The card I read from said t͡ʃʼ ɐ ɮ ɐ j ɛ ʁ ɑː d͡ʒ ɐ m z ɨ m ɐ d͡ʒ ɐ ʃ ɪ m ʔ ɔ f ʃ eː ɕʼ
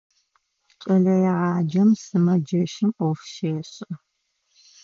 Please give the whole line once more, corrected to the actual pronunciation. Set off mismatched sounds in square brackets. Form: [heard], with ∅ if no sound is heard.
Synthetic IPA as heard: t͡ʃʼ ɐ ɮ ɐ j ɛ ʁ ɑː d͡ʒ ɐ m [s] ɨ m ɐ d͡ʒ ɐ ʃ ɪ m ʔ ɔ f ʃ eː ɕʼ